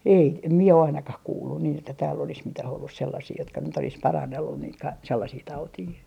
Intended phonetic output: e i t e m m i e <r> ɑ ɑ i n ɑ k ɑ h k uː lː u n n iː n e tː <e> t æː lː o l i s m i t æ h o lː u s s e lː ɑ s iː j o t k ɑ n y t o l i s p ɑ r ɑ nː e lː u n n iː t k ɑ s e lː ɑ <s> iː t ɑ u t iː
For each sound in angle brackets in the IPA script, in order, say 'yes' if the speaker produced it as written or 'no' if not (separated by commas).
no, no, yes